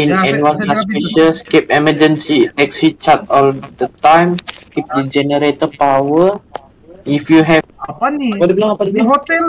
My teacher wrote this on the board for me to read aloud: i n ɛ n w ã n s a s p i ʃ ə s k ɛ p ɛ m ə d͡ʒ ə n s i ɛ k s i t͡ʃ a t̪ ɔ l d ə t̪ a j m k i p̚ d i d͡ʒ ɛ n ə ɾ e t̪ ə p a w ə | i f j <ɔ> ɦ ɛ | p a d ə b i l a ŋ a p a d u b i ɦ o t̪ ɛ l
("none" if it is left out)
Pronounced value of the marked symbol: u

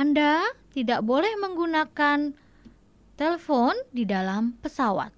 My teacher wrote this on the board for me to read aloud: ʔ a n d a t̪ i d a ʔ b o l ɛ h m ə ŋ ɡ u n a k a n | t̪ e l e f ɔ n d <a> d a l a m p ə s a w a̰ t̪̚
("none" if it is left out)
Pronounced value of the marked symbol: i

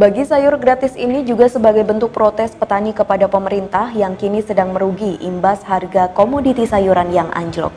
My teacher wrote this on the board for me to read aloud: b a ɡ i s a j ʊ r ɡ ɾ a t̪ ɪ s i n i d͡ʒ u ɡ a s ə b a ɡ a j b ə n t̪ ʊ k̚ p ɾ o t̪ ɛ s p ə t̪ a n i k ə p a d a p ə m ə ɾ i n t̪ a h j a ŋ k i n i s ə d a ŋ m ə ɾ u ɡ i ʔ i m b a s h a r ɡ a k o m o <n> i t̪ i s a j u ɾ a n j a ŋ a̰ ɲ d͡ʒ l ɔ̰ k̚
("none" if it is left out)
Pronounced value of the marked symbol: d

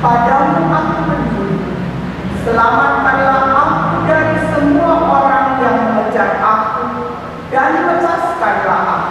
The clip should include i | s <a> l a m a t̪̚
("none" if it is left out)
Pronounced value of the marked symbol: ə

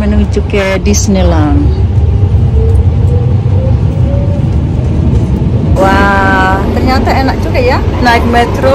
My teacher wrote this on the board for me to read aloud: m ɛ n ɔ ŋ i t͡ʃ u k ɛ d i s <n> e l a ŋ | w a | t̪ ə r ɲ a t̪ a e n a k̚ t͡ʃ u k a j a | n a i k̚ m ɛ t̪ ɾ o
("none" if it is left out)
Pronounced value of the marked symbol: n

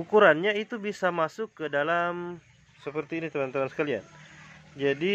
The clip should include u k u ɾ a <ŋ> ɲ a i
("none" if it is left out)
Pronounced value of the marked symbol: n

